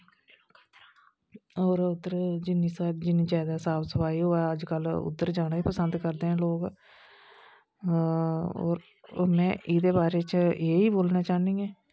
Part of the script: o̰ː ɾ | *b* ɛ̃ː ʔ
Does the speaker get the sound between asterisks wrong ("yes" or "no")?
yes